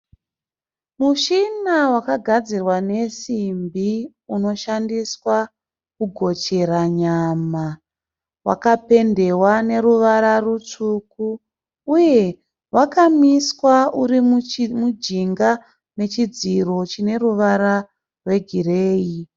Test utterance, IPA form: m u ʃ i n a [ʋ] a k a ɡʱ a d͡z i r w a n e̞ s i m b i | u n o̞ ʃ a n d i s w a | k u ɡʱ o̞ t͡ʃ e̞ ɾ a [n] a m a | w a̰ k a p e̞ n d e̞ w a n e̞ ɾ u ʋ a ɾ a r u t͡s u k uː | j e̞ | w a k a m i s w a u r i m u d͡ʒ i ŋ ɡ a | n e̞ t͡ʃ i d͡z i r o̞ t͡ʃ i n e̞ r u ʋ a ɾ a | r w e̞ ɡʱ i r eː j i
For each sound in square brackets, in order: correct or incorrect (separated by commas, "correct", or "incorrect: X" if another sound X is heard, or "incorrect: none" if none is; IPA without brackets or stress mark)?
incorrect: w, incorrect: ɲ